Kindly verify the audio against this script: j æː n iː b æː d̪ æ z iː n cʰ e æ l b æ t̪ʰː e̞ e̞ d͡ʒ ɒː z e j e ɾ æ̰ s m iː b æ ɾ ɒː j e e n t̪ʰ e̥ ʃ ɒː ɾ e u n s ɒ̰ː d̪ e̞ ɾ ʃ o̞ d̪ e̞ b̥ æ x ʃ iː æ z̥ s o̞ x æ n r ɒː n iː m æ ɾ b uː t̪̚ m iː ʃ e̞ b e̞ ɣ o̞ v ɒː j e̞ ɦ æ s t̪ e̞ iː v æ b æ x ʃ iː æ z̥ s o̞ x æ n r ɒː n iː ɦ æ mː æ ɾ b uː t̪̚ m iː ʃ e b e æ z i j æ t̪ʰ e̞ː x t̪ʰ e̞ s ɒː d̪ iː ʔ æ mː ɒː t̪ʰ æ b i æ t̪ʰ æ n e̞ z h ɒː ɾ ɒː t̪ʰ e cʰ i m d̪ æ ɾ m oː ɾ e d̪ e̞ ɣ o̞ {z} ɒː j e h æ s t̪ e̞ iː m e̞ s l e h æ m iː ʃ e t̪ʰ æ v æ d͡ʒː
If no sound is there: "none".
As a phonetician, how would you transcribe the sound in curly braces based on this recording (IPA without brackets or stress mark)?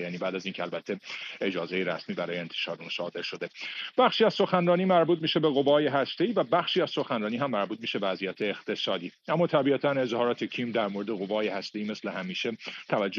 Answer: v